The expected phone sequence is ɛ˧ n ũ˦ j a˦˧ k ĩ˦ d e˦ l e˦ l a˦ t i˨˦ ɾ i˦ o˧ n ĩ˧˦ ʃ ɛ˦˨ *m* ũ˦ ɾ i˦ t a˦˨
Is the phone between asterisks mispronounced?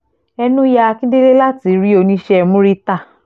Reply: no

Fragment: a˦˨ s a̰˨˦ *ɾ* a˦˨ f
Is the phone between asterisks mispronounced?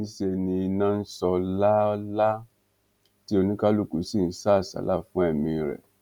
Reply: yes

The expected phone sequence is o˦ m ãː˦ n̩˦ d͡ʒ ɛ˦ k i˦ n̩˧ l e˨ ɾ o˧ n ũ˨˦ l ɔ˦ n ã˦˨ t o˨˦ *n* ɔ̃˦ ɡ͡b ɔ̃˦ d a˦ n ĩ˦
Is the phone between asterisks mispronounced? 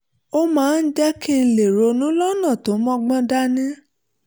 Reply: yes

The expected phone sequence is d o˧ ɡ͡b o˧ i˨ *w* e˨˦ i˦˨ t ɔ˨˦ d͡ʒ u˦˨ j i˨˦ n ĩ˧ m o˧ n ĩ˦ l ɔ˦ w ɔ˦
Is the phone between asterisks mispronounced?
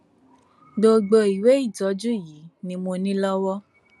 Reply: no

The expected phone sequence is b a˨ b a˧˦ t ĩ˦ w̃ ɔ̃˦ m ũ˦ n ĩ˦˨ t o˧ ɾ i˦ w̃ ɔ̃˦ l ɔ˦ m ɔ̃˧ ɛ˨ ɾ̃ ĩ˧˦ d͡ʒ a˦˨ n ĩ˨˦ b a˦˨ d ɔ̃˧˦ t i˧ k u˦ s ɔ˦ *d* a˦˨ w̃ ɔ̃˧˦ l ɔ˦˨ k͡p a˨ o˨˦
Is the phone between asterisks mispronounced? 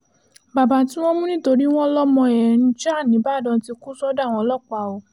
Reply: no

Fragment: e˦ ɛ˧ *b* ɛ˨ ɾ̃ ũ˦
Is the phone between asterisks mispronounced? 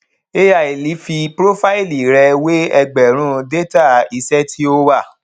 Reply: yes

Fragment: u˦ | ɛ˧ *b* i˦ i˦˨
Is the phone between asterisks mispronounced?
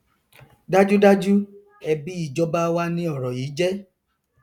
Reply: no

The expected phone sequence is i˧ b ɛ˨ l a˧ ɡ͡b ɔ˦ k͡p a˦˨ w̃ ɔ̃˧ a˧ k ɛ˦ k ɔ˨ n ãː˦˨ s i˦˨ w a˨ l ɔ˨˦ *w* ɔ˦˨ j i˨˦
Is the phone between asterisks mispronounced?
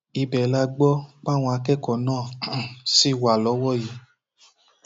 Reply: no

